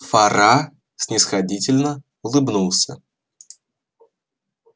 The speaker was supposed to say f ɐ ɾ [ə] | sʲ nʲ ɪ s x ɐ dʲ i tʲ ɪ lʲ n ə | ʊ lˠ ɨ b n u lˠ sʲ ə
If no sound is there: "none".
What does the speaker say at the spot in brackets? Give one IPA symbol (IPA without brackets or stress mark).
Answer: a